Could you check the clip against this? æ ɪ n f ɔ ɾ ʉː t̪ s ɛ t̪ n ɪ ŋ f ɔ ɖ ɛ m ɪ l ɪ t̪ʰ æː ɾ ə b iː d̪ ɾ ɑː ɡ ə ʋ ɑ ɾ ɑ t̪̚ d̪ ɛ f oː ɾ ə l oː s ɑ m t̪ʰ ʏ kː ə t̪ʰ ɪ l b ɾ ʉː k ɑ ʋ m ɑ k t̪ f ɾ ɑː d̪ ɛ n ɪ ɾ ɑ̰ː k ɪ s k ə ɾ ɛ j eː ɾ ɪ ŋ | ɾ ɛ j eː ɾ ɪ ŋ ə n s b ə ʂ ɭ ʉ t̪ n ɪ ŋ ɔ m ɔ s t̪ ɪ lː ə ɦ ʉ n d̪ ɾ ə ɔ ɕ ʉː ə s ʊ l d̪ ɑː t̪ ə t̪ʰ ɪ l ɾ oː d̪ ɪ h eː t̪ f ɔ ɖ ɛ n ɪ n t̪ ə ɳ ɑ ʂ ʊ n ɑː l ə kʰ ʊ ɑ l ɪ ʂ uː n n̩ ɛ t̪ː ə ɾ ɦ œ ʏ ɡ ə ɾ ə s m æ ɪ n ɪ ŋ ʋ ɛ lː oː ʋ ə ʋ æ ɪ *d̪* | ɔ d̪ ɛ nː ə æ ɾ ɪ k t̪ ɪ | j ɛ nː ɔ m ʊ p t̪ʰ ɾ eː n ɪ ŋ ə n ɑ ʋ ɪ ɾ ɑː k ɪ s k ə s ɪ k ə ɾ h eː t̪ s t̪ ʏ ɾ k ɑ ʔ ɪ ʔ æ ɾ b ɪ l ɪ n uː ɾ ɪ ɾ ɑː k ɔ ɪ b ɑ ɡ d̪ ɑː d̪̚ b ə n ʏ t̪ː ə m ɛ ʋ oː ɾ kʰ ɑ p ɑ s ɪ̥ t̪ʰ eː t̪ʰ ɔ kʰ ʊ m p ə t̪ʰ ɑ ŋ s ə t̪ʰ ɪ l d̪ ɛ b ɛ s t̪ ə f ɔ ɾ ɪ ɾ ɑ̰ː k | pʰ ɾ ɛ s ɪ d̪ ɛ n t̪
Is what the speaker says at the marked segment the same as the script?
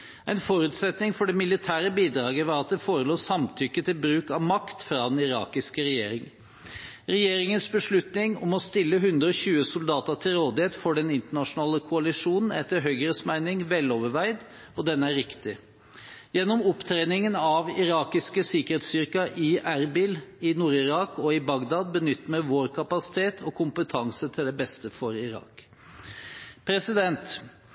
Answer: yes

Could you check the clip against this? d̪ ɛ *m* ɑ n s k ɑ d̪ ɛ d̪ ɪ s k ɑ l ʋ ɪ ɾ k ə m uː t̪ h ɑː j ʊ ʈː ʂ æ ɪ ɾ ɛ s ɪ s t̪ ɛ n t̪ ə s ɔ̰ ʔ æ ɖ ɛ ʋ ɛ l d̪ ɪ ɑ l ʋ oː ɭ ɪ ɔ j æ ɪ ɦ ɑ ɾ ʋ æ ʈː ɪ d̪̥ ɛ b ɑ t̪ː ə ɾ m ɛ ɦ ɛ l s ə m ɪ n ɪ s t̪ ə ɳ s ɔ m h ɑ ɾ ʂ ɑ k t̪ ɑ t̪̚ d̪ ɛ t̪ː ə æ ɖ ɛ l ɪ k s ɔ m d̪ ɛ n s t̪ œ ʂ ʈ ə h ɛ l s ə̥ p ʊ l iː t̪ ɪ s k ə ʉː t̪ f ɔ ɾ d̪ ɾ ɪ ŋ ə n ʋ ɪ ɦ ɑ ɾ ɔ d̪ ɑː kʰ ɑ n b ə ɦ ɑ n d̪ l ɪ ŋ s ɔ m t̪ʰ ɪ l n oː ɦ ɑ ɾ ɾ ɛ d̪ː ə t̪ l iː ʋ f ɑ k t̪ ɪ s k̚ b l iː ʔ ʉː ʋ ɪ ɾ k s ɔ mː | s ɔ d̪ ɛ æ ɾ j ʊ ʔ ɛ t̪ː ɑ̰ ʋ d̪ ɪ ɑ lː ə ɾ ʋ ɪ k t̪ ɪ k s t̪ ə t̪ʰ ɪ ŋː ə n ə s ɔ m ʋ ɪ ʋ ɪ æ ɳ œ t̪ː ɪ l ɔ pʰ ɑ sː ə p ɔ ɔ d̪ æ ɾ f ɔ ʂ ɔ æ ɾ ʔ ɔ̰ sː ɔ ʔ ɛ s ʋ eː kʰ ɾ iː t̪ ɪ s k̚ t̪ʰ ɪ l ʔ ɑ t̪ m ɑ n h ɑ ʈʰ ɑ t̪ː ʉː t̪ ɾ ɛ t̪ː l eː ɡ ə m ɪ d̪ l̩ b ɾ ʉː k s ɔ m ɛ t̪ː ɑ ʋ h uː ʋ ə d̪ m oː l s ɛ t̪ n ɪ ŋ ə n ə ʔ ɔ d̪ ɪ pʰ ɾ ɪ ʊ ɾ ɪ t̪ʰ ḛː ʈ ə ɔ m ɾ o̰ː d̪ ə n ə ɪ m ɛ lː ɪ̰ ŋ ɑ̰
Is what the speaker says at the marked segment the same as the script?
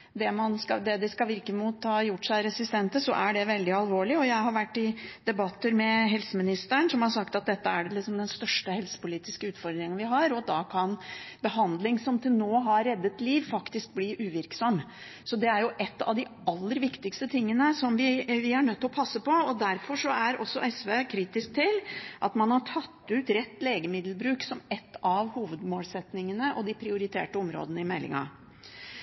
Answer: yes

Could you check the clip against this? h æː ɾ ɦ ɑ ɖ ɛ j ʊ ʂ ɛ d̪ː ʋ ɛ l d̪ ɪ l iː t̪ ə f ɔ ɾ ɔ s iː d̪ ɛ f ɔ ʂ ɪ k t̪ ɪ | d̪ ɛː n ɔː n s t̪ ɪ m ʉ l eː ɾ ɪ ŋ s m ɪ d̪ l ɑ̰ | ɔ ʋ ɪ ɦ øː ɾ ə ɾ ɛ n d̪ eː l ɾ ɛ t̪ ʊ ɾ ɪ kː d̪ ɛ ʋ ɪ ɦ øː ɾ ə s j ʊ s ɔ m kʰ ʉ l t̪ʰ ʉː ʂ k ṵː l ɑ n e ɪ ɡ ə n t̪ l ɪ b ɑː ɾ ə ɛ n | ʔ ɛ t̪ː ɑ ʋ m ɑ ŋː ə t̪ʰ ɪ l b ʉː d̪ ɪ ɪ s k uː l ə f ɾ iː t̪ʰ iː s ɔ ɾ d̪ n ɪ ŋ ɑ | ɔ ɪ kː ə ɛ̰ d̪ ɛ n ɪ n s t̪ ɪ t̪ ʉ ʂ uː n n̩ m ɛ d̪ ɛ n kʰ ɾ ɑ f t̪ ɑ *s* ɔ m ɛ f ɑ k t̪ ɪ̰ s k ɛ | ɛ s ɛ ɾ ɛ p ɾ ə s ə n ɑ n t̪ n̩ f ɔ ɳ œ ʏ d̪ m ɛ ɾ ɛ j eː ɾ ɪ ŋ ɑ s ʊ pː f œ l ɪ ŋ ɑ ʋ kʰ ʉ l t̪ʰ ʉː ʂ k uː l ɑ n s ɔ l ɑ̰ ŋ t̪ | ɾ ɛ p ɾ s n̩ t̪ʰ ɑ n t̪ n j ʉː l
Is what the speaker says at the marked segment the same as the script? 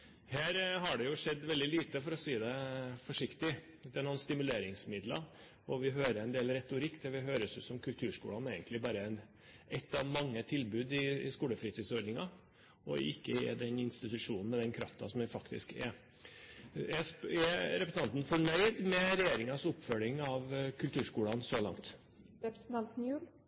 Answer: yes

